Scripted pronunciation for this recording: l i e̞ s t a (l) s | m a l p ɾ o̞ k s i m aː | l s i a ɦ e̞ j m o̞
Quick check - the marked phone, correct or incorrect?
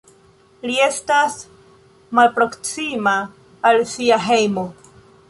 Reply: incorrect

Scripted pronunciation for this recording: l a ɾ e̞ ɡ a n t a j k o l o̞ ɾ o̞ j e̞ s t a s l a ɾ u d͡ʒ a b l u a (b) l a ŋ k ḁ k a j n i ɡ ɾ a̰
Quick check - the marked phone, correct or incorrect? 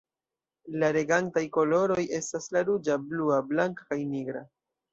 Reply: correct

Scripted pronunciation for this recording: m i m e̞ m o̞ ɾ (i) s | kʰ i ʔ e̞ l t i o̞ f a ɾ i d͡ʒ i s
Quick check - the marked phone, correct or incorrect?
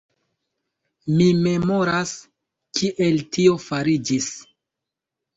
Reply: incorrect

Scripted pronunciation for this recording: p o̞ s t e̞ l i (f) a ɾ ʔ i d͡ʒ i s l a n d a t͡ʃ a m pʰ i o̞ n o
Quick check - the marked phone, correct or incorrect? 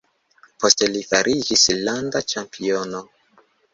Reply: correct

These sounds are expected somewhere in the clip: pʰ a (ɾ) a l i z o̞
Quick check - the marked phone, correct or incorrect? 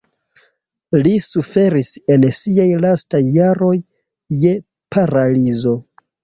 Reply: correct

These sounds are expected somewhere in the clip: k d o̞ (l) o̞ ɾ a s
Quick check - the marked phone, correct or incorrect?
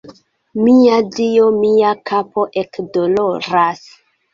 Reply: correct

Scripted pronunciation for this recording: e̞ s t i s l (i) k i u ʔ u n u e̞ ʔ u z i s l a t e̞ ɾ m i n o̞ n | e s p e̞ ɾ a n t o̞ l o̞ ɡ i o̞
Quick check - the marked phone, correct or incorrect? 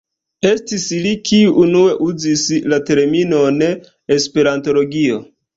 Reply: correct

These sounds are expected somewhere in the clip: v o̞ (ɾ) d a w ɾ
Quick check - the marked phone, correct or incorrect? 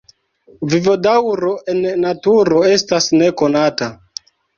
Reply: incorrect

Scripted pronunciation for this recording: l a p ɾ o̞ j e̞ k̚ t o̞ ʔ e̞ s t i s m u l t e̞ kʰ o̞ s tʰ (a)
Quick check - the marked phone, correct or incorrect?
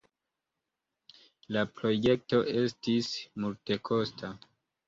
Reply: correct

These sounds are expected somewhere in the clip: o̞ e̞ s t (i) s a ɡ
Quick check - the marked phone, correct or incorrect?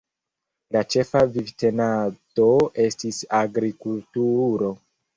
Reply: correct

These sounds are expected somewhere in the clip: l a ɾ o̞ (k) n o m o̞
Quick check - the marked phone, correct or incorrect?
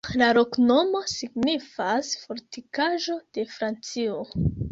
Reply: correct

